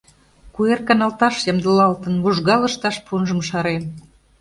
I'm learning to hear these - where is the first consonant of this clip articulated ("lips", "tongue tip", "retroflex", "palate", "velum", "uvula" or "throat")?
velum